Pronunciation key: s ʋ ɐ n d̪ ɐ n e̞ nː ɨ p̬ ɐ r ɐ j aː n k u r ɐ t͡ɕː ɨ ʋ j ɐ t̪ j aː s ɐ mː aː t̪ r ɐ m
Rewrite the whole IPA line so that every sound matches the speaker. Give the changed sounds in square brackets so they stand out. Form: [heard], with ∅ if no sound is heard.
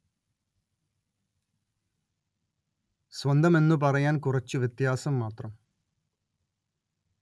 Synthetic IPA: s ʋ ɐ n d̪ ɐ [m] e̞ nː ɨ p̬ ɐ r ɐ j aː n k u r ɐ t͡ɕː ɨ ʋ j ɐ t̪ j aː s ɐ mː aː t̪ r ɐ m